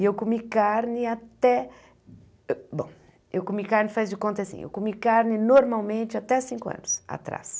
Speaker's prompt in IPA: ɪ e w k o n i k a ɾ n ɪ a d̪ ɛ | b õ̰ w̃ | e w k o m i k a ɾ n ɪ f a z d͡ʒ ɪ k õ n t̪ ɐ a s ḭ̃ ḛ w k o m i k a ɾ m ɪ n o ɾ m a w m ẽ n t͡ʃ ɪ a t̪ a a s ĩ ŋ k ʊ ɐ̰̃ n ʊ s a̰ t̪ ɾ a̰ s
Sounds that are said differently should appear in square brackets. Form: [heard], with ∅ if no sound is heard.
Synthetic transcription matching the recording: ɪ e w k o [m] i k a ɾ n ɪ a [t̪] ɛ | b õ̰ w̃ | e w k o m i k a ɾ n ɪ f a z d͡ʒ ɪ k õ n t̪ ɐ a s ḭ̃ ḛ w k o m i k a ɾ [n] ɪ n o ɾ m a w m ẽ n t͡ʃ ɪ a t̪ [ɛ] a s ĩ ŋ k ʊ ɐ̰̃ n ʊ s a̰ t̪ ɾ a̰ s